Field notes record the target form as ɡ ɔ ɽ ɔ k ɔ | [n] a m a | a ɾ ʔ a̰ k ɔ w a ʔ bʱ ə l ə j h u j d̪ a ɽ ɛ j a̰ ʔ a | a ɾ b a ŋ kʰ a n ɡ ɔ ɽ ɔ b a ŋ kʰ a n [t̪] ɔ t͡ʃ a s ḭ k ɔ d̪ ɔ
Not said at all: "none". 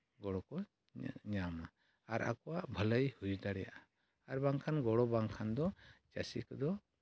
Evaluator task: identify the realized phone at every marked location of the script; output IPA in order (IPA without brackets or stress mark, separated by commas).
ɲ, d̪